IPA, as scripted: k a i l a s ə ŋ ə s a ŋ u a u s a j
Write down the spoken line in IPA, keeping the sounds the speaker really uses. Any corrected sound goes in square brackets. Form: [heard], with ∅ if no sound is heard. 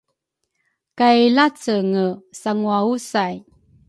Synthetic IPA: k a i l a [t͡s] ə ŋ ə s a ŋ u a u s a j